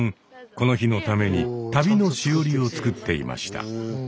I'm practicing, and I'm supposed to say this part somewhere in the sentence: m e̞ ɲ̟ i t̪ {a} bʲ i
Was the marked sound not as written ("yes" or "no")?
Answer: no